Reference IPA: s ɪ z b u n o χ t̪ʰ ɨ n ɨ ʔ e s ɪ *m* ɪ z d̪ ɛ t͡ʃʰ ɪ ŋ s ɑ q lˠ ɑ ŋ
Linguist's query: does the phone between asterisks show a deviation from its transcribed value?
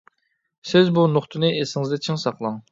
yes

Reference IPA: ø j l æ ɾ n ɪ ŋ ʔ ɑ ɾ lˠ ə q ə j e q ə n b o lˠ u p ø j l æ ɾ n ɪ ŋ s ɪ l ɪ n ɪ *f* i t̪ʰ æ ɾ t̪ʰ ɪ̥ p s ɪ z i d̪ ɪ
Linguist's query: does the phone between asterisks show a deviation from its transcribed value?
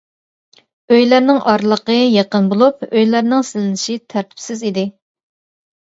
yes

